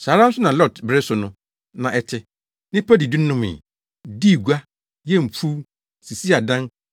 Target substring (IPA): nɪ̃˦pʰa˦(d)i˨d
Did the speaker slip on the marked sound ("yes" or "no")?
no